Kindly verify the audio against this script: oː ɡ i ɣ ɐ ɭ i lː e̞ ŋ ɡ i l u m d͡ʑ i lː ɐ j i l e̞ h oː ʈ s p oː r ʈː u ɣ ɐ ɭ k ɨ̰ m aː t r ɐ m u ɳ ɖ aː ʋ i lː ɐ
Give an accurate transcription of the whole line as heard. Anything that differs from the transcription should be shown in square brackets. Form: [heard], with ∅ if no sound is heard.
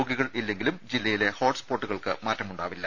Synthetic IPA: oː ɡ i ɣ ɐ ɭ i lː e̞ ŋ ɡ i l u m d͡ʑ i lː ɐ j i l e̞ h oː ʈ s p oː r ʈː u ɣ ɐ ɭ k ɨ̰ m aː t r ɐ m u ɳ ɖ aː ʋ i lː ɐ